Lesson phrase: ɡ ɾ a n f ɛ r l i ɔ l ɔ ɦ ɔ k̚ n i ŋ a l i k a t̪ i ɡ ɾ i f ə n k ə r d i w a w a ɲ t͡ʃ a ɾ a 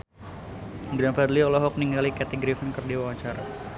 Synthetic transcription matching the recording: ɡ ɾ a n f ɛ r l i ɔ l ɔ ɦ ɔ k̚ n i ŋ a l i k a t̪ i ɡ ɾ i f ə n k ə r d i w a w a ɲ t͡ʃ a ɾ a